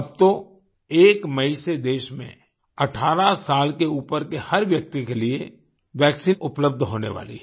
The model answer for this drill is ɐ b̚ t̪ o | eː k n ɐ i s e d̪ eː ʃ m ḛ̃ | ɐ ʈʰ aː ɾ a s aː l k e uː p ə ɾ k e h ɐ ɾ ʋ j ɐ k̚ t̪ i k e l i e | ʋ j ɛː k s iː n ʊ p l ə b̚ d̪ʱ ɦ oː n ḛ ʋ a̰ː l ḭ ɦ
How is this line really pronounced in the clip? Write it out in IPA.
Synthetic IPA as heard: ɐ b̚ t̪ o | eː k m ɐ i s e d̪ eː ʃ m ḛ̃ | ɐ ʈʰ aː ɾ a s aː l k e uː p ə ɾ k e h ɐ ɾ ʋ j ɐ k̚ t̪ i k e l i e | ʋ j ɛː k s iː n ʊ p l ə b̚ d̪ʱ ɦ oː n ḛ ʋ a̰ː l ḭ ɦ